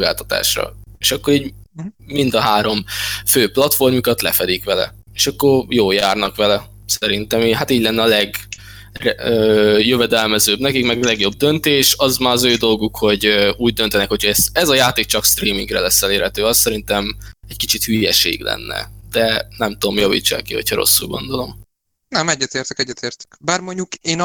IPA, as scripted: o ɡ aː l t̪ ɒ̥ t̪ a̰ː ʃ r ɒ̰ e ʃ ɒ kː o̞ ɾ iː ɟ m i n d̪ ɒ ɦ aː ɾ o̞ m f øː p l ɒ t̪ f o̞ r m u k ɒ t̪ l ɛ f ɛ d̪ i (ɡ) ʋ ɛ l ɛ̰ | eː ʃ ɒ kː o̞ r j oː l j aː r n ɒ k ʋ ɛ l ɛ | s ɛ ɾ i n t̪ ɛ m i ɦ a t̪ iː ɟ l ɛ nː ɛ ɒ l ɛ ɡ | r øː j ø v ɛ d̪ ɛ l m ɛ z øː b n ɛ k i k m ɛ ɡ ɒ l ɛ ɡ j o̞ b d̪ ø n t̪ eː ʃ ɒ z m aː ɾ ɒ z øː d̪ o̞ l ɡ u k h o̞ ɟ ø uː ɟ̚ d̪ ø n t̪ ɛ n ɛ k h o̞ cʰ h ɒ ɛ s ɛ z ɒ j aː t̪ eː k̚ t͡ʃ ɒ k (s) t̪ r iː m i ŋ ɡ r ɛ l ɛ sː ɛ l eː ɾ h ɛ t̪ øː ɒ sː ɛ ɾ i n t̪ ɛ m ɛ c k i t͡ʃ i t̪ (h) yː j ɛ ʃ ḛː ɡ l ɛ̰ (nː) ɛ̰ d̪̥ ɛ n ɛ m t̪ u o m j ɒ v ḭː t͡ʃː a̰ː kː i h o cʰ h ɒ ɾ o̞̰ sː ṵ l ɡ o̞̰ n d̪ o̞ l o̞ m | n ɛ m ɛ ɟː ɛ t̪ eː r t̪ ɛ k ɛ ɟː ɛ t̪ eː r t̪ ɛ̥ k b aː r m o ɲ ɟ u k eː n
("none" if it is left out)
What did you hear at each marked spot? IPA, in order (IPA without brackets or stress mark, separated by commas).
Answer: k, s, h, nː